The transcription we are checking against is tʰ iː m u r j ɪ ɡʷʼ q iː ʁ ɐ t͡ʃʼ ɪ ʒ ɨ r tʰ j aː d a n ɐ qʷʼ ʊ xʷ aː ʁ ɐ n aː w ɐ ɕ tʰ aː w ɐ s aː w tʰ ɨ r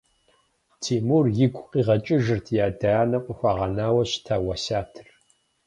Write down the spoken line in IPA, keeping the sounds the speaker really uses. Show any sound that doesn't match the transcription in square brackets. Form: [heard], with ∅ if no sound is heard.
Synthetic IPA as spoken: tʰ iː m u r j ɪ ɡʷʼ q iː ʁ ɐ t͡ʃʼ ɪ ʒ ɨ r tʰ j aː d a n ɐ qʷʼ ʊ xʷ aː ʁ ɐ n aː w ɐ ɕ tʰ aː w ɐ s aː [∅] tʰ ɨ r

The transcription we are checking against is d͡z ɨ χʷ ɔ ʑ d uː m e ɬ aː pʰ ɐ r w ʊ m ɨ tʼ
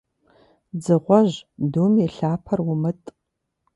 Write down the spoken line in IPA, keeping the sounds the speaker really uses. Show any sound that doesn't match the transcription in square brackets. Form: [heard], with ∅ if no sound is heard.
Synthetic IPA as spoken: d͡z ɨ [ʁʷ] ɔ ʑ d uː m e ɬ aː pʰ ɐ r w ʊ m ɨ tʼ

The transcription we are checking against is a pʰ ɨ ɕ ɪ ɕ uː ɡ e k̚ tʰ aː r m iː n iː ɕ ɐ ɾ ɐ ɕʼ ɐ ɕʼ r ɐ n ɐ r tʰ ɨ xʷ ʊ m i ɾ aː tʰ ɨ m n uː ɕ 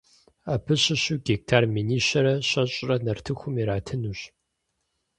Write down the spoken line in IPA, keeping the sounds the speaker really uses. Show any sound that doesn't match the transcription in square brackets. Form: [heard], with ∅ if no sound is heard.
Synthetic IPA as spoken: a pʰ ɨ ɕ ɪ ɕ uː ɡ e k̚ tʰ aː r m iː n iː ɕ ɐ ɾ ɐ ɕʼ ɐ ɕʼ r ɐ n ɐ r tʰ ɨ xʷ ʊ m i ɾ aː tʰ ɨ [∅] n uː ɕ

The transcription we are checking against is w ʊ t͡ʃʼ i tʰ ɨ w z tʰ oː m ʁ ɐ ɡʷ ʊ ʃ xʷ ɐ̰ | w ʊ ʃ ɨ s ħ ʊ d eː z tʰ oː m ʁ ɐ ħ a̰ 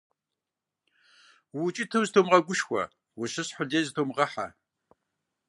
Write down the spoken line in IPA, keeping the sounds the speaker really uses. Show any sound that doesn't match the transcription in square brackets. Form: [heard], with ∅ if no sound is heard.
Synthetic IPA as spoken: w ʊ t͡ʃʼ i tʰ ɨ w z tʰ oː m ʁ ɐ ɡʷ ʊ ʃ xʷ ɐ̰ | w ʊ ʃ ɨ s ħ ʊ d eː z tʰ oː m ʁ ɐ ħ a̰

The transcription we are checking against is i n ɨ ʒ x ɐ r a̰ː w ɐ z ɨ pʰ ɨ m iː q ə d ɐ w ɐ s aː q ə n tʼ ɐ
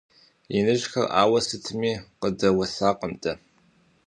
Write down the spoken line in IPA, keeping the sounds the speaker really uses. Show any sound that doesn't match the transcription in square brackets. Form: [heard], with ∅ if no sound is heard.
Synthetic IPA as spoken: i n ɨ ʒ x ɐ r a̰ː w ɐ [s] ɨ [tʰ] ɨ m iː q ə d ɐ w ɐ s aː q ə [m] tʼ ɐ

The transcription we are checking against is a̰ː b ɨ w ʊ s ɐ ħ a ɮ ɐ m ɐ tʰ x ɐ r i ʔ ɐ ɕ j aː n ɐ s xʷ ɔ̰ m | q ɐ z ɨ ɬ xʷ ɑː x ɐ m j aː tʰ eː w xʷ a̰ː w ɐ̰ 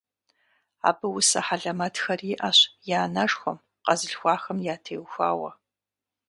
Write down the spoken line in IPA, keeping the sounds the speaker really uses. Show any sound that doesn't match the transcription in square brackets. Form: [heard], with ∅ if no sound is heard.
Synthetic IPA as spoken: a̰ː b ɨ w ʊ s ɐ ħ a ɮ ɐ m ɐ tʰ x ɐ r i ʔ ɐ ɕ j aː n ɐ [ʂ] xʷ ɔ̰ m | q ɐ z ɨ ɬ xʷ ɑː x ɐ m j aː tʰ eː w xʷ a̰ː w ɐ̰

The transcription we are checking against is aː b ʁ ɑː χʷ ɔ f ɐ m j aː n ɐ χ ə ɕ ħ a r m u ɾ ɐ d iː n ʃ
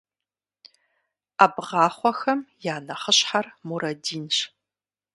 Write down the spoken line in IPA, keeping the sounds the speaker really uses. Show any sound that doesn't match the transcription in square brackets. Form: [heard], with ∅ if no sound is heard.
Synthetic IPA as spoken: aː b ʁ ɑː χʷ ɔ [x] ɐ m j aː n ɐ χ ə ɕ ħ a r m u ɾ ɐ d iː n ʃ

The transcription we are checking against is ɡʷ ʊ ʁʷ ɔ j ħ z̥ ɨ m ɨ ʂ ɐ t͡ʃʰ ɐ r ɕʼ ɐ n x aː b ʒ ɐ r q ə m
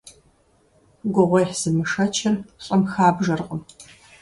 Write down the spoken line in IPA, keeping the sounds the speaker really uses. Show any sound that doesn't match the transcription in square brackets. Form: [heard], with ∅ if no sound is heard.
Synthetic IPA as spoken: ɡʷ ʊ ʁʷ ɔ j ħ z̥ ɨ m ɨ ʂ ɐ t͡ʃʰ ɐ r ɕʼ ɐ [m] x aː b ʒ ɐ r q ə m

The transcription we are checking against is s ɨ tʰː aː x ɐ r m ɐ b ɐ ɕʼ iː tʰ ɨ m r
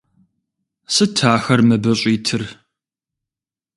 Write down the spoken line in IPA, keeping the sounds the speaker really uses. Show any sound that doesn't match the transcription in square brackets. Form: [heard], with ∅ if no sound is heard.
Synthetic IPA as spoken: s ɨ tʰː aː x ɐ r m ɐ b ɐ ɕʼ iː tʰ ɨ [∅] r

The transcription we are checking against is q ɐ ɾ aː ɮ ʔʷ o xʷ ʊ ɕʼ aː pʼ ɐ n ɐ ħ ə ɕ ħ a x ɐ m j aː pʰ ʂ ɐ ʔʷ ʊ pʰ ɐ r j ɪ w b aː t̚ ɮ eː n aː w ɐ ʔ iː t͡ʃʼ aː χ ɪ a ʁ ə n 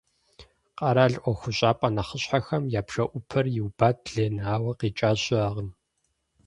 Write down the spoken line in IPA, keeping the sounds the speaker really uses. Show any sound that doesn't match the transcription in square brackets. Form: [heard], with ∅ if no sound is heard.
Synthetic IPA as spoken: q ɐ ɾ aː ɮ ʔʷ [ɔ] xʷ ʊ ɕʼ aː pʼ ɐ n ɐ [χ] ə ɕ ħ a x ɐ m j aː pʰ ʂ ɐ ʔʷ ʊ pʰ ɐ r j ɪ w b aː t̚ ɮ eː n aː w ɐ [q] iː t͡ʃʼ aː [ɕ] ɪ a ʁ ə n

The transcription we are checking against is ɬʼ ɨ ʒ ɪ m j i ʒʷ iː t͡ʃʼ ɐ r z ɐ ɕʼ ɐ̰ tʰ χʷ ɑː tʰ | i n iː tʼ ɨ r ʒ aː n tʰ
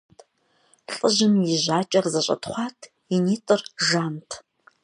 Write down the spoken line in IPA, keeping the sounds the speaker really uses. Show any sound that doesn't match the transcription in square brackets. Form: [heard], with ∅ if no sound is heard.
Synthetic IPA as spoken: ɬʼ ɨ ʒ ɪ m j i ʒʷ [aː] t͡ʃʼ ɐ r z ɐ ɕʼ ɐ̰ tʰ χʷ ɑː tʰ | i n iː tʼ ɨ r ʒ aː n tʰ

